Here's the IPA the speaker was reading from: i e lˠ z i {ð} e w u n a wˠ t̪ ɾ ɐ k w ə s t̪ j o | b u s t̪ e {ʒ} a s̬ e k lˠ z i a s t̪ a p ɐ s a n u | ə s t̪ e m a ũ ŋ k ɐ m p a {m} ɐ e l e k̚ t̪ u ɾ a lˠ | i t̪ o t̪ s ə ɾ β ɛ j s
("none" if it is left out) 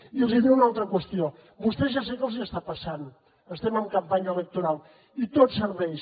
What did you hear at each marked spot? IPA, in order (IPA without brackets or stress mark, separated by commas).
ð, ʒ, ɲ